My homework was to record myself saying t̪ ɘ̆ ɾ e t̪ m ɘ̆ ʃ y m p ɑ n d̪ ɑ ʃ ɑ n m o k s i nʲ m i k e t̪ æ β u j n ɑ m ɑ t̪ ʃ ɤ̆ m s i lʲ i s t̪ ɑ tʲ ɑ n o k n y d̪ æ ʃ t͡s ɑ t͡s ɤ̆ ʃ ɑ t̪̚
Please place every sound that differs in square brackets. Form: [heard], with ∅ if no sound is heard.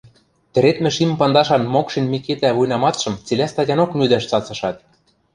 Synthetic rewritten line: t̪ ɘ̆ ɾ e t̪ m ɘ̆ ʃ [i] m p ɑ n d̪ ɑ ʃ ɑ n m o k [ʃ] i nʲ m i k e t̪ æ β u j n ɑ m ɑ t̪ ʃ ɤ̆ m [t͡s] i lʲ [æ] s t̪ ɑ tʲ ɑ n o k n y d̪ æ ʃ t͡s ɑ t͡s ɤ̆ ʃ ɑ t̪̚